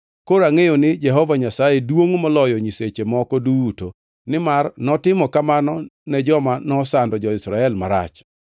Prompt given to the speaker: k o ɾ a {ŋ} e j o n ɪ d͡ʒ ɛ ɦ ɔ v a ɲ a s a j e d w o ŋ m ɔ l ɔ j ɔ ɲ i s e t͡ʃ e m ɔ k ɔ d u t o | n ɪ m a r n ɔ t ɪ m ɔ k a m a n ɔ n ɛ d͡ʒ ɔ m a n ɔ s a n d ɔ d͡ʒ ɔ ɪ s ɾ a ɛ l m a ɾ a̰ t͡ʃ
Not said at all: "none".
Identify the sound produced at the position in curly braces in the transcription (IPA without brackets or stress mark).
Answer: ŋ